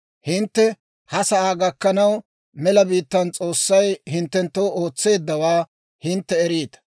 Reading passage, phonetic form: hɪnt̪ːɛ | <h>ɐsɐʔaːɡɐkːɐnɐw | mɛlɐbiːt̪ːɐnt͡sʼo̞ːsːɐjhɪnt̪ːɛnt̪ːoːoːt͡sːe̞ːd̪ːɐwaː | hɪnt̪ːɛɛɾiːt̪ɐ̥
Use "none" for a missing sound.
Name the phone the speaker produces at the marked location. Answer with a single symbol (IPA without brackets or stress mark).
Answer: h